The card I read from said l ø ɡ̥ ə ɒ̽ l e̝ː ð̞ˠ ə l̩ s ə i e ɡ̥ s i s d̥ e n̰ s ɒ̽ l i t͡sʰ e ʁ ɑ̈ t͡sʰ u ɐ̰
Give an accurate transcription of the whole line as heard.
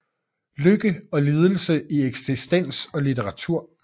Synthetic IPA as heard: l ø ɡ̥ ə ɒ̽ l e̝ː ð̞ˠ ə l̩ s ə i e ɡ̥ s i s d̥ e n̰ s ɒ̽ l i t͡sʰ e ʁ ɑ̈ t͡sʰ u ɐ̰

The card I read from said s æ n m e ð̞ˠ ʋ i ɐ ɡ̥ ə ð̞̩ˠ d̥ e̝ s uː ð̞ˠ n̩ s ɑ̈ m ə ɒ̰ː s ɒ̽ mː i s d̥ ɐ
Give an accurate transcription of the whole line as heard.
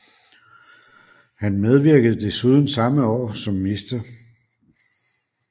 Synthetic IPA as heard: h æ n m e ð̞ˠ ʋ i ɐ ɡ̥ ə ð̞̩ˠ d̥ e̝ s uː ð̞ˠ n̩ s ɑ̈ m ə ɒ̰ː s ɒ̽ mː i s d̥ ɐ

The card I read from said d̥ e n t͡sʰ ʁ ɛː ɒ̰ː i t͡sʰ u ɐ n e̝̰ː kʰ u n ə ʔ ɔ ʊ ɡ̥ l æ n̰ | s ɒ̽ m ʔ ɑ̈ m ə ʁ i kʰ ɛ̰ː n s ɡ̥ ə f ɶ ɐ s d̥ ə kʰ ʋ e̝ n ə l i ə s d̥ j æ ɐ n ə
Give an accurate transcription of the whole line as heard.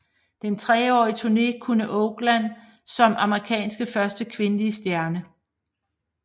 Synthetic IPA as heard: d̥ e n t͡sʰ ʁ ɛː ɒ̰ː i t͡sʰ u ɐ n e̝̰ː kʰ u n ə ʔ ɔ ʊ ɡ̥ l æ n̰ | s ɒ̽ m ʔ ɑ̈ m ə ʁ i kʰ ɛ̰ː n s ɡ̥ ə f ɶ ɐ s d̥ ə kʰ ʋ e̝ n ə l i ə s d̥ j æ ɐ n ə

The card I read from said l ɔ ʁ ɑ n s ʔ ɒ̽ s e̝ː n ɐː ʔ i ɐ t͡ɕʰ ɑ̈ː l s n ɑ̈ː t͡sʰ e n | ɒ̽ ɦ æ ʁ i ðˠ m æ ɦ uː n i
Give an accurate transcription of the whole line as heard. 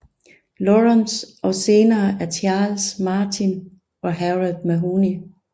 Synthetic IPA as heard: l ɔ ʁ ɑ n s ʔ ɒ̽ s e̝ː n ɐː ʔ æ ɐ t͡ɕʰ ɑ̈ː l s m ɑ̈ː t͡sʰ i n | ɒ̽ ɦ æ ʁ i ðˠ m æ ɦ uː n i

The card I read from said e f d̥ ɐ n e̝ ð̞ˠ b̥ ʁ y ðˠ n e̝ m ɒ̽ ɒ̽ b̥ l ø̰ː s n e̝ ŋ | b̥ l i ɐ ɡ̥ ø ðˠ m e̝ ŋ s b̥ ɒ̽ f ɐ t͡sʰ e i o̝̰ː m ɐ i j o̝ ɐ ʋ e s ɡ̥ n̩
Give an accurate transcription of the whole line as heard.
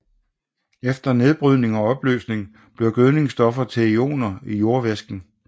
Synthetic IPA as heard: e f d̥ ɐ n e̝ ð̞ˠ b̥ ʁ y ðˠ n e̝ ŋ ɒ̽ ɒ̽ b̥ l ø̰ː s n e̝ ŋ | b̥ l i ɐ ɡ̥ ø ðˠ n e̝ ŋ s d̥ ɒ̽ f ɐ t͡sʰ e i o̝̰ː n ɐ i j o̝ ɐ ʋ e s ɡ̥ n̩

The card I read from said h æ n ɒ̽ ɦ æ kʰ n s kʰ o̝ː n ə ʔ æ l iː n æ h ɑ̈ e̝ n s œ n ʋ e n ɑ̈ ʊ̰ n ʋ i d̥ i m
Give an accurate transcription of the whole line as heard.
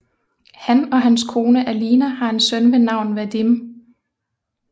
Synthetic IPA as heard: h æ n ɒ̽ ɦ æ n s kʰ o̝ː n ə ʔ æ l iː n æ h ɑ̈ e̝ n s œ n ʋ e n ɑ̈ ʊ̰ n ʋ æ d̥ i m

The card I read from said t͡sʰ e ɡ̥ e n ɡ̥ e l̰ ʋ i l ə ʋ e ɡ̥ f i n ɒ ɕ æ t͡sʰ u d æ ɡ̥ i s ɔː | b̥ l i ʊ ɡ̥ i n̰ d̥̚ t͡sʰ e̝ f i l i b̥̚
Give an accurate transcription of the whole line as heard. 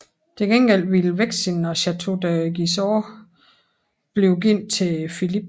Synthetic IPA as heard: t͡sʰ e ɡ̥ e n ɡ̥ e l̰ ʋ i l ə ʋ e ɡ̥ s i n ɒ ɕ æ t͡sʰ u d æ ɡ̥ i s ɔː | b̥ l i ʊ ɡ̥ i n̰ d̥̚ t͡sʰ e̝ f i l i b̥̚

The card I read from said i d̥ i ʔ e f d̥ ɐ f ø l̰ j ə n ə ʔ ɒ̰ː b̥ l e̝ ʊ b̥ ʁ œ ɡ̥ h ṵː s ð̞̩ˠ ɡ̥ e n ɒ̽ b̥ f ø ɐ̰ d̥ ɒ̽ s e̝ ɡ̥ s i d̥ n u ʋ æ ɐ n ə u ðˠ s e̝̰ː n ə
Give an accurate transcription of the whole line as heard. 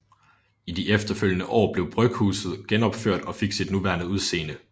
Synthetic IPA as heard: i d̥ i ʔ e f d̥ ɐ f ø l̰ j ə n ə ʔ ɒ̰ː b̥ l e̝ ʊ b̥ ʁ œ ɡ̥ h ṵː s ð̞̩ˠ ɡ̥ e n ɒ̽ b̥ f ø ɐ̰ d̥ ɒ̽ f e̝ ɡ̥ s i d̥ n u ʋ æ ɐ n ə u ðˠ s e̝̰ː n ə

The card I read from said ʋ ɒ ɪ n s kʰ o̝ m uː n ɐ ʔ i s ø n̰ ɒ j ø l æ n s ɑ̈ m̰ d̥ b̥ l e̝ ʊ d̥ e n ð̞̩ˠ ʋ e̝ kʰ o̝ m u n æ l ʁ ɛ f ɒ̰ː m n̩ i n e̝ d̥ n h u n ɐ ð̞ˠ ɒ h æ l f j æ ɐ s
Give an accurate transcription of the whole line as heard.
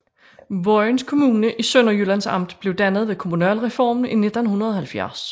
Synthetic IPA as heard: ʋ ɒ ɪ n s kʰ o̝ m uː n ə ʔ i s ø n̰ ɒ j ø l æ n s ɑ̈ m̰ d̥ b̥ l e̝ ʊ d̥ æ n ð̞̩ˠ ʋ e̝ kʰ o̝ m u n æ l ʁ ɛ f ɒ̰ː m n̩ i n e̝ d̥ n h u n ɐ ð̞ˠ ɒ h æ l f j æ ɐ s

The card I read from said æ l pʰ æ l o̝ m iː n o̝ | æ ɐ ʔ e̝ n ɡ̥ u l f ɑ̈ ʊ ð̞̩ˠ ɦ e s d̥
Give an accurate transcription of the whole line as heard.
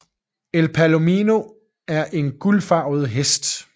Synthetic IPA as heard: e l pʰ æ l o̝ m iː n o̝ | æ ɐ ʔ e̝ n ɡ̥ u l f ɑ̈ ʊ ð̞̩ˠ ɦ e s d̥

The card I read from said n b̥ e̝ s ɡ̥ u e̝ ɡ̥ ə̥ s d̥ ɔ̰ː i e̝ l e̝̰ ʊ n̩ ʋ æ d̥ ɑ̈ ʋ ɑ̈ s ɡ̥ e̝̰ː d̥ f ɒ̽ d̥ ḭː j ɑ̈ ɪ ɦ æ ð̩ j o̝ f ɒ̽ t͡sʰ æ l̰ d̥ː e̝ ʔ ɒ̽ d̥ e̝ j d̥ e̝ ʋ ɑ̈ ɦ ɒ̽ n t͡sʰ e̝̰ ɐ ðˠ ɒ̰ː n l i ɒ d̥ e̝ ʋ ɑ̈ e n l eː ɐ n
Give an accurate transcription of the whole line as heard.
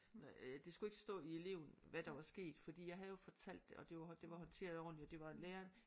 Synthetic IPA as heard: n d̥ e̝ s ɡ̥ u e̝ ɡ̥ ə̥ s d̥ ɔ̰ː i e̝ l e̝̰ ʊ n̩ ʋ æ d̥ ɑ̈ ʋ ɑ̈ s ɡ̥ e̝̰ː d̥ f ɒ̽ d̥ ḭː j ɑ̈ ɪ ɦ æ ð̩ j o̝ f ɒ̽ t͡sʰ æ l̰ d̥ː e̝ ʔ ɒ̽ d̥ e̝ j d̥ e̝ ʋ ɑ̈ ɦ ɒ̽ n t͡sʰ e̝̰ ɐ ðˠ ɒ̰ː n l i ɒ d̥ e̝ ʋ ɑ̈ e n l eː ɐ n

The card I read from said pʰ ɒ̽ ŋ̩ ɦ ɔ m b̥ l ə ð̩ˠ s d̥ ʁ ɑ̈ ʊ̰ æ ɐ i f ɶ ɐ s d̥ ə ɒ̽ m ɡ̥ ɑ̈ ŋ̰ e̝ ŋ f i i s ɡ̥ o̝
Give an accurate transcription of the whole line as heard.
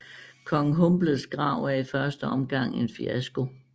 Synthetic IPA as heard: kʰ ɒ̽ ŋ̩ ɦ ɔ m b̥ l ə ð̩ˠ s ɡ̥ ʁ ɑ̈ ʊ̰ æ ɐ i f ɶ ɐ s d̥ ə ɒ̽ m ɡ̥ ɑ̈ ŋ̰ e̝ n f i æ s ɡ̥ o̝

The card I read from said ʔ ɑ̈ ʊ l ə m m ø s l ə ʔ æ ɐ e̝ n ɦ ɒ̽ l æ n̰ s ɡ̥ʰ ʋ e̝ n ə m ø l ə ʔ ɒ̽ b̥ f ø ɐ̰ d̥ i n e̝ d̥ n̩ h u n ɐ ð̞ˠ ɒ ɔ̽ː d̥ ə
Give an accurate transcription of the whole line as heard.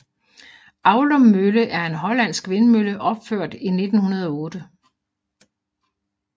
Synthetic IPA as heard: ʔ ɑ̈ ʊ l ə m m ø l ə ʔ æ ɐ e̝ n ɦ ɒ̽ l æ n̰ s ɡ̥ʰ ʋ e̝ n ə m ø l ə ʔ ɒ̽ b̥ f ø ɐ̰ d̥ i n e̝ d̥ n̩ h u n ɐ ð̞ˠ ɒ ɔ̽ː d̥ ə

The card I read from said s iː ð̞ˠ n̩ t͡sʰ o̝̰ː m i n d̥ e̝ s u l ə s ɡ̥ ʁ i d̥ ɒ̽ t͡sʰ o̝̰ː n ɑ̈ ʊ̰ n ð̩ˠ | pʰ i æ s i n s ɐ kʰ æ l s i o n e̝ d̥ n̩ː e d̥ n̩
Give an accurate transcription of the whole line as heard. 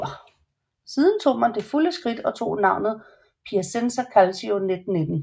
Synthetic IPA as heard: s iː ð̞ˠ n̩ t͡sʰ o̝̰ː m æ n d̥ e̝ f u l ə s ɡ̥ ʁ i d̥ ɒ̽ t͡sʰ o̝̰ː n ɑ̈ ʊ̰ n ð̩ˠ | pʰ i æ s e n s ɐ kʰ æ l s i o n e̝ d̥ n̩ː e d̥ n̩

